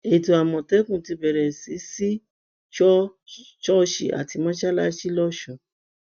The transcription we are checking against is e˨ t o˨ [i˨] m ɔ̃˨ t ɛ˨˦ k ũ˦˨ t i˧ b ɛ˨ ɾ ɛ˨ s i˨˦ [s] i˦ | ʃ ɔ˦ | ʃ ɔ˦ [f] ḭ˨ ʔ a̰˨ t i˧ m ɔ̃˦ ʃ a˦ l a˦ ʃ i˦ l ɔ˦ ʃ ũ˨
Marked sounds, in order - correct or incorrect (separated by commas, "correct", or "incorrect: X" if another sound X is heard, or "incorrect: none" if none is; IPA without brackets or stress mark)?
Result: incorrect: a˨, correct, incorrect: ʃ